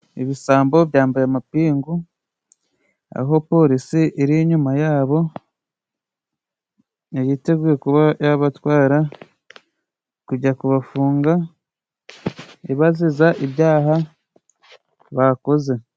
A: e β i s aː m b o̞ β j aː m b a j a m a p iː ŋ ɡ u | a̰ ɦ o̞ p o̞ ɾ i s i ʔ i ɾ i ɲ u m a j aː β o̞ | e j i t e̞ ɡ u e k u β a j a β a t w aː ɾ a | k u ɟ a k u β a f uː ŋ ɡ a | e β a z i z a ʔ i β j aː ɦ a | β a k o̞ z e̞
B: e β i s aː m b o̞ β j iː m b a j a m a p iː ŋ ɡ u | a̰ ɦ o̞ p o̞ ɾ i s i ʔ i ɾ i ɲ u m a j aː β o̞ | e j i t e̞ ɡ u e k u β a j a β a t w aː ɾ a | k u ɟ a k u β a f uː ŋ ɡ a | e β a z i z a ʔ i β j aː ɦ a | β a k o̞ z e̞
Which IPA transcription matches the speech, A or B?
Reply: A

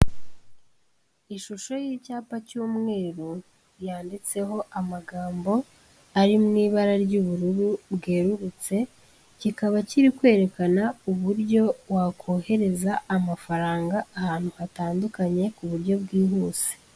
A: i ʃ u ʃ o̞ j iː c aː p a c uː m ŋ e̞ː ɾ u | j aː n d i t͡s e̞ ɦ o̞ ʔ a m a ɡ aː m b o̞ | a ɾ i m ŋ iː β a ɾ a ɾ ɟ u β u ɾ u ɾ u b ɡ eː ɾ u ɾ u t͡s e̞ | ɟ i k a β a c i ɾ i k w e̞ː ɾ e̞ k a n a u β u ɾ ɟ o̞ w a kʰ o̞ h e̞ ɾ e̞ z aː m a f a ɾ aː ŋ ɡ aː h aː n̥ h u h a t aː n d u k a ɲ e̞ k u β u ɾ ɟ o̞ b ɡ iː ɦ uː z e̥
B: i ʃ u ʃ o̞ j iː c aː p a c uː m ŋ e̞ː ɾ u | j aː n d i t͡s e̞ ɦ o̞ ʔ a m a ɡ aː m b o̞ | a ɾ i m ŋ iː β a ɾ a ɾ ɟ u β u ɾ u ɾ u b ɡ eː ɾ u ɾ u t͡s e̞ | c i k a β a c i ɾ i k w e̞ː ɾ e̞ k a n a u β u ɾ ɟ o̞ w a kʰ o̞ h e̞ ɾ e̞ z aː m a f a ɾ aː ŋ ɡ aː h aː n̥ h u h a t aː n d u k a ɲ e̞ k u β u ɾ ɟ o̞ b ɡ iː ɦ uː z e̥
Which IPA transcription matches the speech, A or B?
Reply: B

